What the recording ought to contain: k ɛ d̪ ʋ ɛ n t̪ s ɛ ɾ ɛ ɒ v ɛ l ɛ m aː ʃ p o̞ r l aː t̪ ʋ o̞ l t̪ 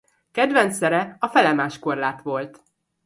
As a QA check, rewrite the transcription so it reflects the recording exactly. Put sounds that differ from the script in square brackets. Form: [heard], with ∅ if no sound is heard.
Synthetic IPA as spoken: k ɛ d̪ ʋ ɛ n t̪ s ɛ ɾ ɛ ɒ [f] ɛ l ɛ m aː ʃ [k] o̞ r l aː t̪ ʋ o̞ l t̪